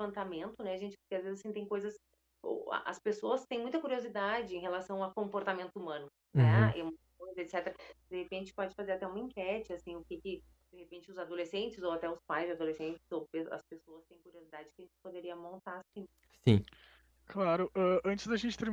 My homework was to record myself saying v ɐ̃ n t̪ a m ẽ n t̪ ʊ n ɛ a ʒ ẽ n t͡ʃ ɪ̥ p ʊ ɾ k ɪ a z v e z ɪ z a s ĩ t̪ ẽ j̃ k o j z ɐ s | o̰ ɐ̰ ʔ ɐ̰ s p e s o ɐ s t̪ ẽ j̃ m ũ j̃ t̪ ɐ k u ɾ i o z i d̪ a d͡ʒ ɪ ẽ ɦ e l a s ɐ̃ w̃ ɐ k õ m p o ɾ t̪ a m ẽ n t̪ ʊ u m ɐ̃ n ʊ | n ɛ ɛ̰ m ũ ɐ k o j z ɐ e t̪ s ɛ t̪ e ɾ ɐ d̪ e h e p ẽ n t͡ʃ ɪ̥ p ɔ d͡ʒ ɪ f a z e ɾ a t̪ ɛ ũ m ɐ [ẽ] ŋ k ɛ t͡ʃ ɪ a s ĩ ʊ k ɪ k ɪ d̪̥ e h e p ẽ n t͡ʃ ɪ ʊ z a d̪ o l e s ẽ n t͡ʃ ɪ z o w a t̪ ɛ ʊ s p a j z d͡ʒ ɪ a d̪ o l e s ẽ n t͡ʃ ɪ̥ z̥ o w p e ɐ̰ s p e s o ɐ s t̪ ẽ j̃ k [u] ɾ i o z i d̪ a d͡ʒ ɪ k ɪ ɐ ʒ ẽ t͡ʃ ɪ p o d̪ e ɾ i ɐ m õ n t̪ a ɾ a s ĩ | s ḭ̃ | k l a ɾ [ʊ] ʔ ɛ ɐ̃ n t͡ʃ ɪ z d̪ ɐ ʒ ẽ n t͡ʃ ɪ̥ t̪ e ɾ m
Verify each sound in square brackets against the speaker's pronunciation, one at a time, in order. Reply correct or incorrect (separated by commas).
incorrect, correct, correct